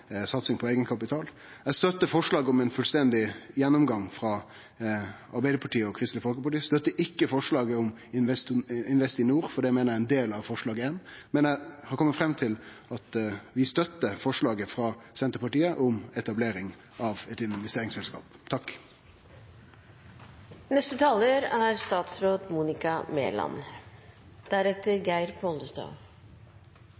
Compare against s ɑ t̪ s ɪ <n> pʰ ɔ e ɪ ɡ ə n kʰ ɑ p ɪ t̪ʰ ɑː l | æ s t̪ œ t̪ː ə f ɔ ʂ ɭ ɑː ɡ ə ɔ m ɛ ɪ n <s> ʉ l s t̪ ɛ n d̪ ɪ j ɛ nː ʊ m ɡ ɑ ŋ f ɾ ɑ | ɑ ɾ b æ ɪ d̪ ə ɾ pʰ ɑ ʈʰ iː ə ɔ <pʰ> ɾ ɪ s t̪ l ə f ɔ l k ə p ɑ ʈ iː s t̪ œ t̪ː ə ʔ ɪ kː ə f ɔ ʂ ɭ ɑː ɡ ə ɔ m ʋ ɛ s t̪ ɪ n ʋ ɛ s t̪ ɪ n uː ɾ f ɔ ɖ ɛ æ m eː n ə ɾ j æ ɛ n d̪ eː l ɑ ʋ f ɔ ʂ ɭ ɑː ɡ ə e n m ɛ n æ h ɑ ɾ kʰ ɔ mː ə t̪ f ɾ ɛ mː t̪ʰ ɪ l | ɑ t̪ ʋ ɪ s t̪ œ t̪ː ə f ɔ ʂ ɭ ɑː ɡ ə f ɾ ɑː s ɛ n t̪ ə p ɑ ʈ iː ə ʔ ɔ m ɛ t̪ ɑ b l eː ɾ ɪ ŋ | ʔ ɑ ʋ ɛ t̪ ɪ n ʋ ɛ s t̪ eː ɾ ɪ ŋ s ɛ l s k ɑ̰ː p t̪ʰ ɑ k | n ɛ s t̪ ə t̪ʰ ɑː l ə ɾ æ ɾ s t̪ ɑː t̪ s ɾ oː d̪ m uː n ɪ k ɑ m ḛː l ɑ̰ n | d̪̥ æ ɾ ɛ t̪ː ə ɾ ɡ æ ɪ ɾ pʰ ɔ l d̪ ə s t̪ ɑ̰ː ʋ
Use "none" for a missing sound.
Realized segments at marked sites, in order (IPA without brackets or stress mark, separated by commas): ŋ, f, kʰ